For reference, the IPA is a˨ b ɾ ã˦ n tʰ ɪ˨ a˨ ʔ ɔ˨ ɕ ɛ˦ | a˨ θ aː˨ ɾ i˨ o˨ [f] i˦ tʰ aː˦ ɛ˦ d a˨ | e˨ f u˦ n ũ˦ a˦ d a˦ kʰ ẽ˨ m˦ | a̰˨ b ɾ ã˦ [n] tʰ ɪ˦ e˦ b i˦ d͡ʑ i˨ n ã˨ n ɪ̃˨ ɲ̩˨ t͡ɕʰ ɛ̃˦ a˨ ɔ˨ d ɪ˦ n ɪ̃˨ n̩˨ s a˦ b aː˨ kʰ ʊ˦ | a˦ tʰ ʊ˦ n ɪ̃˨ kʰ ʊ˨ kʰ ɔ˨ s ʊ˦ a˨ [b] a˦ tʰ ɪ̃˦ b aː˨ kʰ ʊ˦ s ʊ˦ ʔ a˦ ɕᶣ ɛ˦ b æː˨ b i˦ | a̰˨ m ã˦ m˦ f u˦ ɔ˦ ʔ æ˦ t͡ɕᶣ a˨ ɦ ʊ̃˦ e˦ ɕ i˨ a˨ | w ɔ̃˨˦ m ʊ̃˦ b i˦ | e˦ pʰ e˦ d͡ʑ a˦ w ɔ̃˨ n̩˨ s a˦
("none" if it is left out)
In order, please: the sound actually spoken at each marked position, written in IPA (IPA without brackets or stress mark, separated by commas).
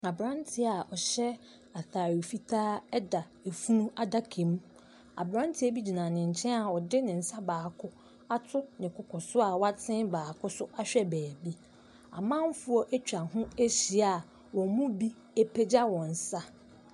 f, n, w